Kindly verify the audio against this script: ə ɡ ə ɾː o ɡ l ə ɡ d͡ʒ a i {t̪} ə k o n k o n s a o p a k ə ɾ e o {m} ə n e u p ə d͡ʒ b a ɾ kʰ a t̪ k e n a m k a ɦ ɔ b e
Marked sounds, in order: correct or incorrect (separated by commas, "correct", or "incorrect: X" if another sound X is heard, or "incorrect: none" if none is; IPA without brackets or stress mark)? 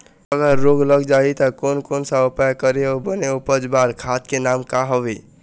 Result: correct, incorrect: b